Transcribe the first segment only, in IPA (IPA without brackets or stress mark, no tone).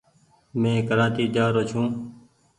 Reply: m